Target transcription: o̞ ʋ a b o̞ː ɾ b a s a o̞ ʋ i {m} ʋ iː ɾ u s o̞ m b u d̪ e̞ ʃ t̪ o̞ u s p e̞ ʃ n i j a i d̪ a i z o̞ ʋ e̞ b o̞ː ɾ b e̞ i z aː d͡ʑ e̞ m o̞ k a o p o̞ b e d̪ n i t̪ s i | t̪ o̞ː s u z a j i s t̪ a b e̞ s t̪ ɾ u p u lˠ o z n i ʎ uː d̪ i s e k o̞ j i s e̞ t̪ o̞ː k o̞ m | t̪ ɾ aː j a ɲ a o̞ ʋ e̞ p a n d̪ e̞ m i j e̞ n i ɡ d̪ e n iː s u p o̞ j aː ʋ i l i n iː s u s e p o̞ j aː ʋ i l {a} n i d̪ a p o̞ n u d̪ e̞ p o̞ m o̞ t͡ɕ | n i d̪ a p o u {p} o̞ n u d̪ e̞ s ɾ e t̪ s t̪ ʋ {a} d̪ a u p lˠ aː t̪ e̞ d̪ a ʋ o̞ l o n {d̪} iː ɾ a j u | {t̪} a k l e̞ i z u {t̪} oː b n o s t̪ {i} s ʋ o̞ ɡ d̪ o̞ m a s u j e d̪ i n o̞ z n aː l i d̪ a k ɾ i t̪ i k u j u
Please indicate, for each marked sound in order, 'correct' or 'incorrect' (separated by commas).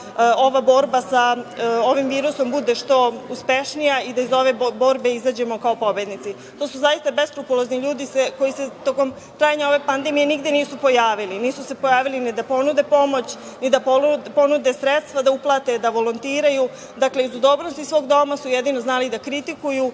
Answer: correct, incorrect, correct, correct, incorrect, incorrect, incorrect, correct